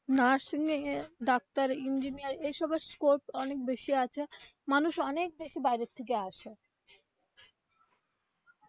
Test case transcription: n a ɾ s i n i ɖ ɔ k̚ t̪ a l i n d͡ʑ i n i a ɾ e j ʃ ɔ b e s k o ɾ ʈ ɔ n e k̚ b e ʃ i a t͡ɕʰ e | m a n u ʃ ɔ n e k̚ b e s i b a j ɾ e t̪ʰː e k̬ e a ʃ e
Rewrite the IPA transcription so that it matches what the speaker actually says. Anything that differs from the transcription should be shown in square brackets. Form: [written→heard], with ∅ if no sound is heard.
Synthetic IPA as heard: n a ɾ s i n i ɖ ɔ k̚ t̪ a [l→ɾ] i n d͡ʑ i n i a ɾ e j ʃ ɔ b e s k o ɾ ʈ ɔ n e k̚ b e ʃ i a t͡ɕʰ e | m a n u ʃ ɔ n e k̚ b e [s→ʃ] i b a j ɾ e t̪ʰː e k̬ e a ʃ e